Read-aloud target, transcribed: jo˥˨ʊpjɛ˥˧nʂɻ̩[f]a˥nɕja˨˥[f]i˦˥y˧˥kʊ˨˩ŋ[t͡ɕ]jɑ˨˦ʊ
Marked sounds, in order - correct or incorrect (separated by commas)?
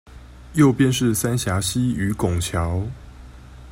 incorrect, incorrect, incorrect